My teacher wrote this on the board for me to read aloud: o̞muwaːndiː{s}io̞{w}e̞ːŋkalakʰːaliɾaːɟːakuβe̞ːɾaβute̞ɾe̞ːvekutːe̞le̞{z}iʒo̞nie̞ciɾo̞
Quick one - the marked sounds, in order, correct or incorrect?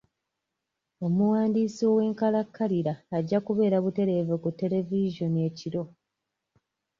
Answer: correct, correct, incorrect: v

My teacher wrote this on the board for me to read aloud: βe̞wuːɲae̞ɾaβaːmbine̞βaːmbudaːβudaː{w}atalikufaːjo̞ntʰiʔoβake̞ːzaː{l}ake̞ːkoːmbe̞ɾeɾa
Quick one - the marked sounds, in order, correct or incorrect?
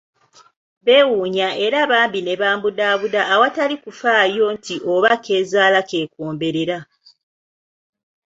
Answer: correct, correct

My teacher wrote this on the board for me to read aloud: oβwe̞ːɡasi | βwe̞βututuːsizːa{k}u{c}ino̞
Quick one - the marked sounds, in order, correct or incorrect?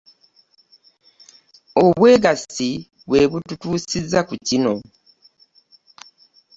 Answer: correct, correct

